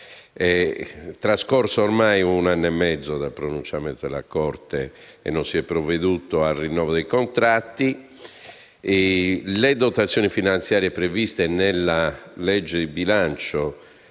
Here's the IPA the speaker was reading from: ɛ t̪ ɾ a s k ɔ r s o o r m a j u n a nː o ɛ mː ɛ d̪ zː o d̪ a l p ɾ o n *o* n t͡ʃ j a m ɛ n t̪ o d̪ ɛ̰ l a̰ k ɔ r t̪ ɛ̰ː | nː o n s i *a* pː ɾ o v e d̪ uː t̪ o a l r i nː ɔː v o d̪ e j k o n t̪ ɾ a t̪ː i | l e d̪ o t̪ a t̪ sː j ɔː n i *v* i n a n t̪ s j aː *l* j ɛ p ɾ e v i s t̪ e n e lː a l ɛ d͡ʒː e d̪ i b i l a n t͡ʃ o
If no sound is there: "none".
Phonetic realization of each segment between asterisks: u, ɛ, f, ɾ

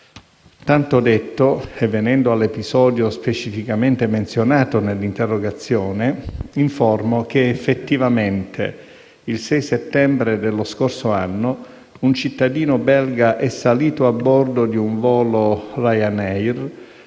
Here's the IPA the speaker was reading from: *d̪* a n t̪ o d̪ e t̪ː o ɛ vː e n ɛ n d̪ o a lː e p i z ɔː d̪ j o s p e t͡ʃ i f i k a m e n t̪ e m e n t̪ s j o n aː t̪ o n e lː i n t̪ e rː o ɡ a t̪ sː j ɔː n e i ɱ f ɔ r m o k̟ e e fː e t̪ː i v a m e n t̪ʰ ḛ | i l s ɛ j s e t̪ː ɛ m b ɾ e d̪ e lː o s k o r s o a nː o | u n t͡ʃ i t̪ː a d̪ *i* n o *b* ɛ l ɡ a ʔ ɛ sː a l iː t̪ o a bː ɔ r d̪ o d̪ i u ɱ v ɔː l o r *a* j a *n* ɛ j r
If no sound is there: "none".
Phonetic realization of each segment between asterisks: t̪, iː, b, a, n

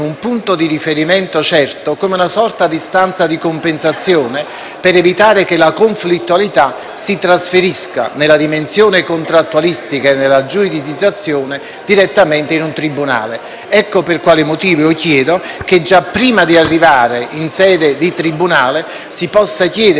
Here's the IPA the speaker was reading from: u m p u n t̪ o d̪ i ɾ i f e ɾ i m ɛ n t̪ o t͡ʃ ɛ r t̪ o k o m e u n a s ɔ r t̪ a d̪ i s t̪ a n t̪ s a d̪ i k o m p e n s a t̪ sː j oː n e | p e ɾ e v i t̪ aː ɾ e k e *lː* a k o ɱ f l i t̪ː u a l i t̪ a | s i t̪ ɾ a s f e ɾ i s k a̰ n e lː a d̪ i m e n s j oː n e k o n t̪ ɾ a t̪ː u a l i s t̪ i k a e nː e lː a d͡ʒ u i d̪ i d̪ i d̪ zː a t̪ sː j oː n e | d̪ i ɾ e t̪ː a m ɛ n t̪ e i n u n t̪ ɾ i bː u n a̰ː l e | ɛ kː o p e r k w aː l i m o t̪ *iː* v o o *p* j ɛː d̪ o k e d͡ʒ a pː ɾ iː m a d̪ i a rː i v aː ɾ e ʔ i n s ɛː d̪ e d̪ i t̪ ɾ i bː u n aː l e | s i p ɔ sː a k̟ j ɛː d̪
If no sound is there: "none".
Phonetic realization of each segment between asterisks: l, iː, k

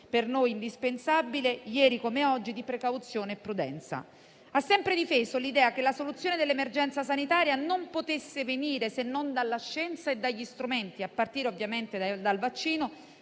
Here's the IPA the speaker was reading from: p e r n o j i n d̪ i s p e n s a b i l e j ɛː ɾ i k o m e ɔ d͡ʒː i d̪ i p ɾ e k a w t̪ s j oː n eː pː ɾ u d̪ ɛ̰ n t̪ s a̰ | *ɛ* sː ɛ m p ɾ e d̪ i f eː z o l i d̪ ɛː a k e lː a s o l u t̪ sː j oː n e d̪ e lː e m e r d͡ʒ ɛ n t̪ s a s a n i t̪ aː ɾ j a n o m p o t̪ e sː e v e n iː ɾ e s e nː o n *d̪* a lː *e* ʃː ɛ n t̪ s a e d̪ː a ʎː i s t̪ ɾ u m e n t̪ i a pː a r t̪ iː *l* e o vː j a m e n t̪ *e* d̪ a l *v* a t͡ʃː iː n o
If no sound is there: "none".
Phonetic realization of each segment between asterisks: a, d̪, a, ɾ, e, v

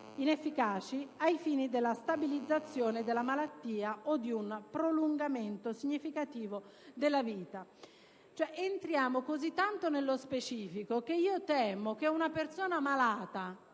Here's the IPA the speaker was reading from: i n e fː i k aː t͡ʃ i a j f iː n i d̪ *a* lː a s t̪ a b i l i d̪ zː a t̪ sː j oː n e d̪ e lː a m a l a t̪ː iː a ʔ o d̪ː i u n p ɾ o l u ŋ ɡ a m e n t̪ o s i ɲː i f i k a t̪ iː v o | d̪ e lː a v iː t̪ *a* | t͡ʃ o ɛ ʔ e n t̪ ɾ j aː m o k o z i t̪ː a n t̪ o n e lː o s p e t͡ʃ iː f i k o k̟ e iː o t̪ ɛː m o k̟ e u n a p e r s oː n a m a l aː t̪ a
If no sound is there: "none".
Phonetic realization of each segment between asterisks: e, a

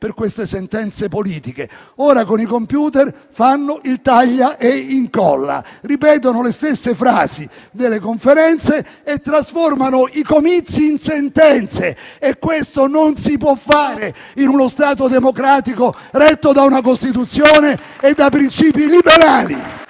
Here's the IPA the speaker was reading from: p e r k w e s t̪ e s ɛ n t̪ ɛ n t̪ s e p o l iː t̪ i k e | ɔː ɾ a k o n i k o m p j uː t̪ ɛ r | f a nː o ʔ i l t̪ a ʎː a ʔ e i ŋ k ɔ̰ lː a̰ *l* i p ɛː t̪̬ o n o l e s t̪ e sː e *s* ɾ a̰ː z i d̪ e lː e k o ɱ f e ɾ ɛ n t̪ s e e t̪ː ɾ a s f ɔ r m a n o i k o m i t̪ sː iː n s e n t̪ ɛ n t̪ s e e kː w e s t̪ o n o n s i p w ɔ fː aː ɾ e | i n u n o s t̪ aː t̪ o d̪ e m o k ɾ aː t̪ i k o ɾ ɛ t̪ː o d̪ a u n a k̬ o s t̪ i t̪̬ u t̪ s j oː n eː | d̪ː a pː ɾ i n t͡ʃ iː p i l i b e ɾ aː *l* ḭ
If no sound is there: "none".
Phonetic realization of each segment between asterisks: r, f, l

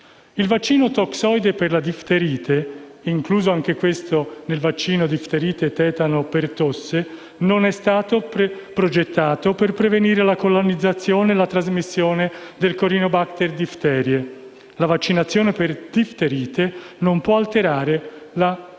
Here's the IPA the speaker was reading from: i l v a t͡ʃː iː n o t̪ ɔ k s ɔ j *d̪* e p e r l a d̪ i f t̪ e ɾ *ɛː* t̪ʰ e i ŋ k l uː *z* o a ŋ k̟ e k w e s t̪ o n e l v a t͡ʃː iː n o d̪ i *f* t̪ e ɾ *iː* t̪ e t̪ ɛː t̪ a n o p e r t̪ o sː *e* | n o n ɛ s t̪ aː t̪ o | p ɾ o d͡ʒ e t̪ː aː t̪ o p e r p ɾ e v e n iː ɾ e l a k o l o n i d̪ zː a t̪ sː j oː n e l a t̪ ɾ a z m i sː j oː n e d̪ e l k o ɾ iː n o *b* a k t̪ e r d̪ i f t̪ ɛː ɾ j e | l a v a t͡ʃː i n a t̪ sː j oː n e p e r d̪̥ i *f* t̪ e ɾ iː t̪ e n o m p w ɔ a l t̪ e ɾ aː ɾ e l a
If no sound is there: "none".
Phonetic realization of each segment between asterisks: d̪, iː, z, f, iː, e, b, f

